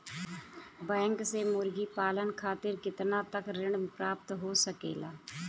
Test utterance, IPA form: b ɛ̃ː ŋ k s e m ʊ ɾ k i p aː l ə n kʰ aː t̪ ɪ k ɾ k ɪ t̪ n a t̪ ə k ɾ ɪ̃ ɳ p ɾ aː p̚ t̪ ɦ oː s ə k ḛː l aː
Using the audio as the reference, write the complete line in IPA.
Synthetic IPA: b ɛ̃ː ŋ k s e m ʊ ɾ ɡ i p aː l ə n kʰ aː t̪ ɪ ɾ k ɪ t̪ n a t̪ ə k ɾ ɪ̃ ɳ p ɾ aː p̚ t̪ ɦ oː s ə k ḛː l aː